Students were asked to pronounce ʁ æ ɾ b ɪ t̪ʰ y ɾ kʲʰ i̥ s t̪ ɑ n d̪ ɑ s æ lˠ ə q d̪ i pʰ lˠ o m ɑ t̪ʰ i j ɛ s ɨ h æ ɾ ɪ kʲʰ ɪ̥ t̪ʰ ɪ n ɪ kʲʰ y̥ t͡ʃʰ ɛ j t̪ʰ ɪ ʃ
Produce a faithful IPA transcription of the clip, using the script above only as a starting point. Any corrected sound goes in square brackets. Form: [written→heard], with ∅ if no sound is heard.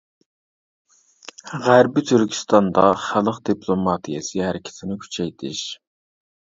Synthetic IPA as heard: ʁ æ ɾ b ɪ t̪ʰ y ɾ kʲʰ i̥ s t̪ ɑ n d̪ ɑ [s→χ] æ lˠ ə q d̪ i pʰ lˠ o m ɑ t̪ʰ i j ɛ s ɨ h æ ɾ ɪ kʲʰ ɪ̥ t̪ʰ ɪ n ɪ kʲʰ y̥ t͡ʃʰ ɛ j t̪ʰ ɪ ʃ